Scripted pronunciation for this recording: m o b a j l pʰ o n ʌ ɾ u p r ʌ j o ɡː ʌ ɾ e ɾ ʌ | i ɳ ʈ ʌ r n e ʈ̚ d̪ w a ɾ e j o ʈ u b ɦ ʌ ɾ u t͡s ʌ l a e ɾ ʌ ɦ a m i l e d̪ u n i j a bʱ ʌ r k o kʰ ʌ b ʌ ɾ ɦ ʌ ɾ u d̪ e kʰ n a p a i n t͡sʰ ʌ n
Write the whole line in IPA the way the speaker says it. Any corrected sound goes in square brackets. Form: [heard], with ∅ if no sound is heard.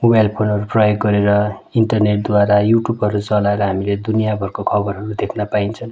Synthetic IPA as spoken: m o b a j l pʰ o n ʌ ɾ u p r ʌ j o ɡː ʌ ɾ e ɾ ʌ | i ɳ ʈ ʌ r n e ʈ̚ d̪ w a ɾ [a] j [u] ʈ u b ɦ ʌ ɾ u t͡s ʌ l a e ɾ ʌ ɦ a m i l e d̪ u n i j a bʱ ʌ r k o kʰ ʌ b ʌ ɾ ɦ ʌ ɾ u d̪ e kʰ n a p a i n t͡sʰ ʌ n